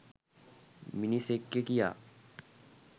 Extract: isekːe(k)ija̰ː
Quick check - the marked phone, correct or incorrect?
correct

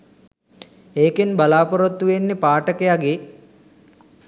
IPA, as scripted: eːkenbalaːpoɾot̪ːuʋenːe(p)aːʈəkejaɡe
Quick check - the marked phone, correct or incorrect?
correct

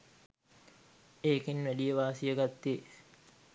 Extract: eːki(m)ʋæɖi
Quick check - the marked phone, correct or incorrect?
incorrect: n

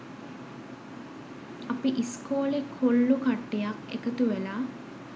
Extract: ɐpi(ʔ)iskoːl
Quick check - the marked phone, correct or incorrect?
correct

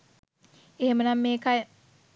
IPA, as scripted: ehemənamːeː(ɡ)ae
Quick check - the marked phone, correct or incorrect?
incorrect: k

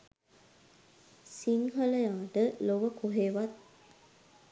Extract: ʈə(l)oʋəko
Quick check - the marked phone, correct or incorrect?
correct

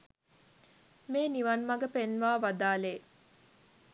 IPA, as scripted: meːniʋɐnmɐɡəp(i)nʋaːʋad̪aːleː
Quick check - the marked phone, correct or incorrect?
incorrect: e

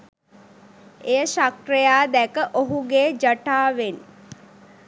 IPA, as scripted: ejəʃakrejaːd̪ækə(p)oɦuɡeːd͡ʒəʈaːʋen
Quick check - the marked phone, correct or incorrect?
incorrect: ʔ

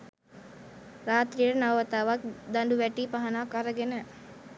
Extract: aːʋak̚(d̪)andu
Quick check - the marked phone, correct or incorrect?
correct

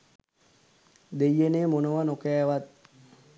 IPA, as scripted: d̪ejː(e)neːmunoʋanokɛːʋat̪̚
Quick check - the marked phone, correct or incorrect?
correct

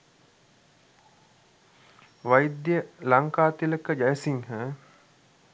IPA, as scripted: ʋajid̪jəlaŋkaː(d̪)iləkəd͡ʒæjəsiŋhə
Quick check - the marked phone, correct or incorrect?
incorrect: t̪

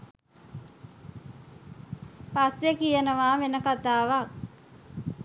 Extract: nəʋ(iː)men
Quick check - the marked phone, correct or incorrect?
incorrect: aː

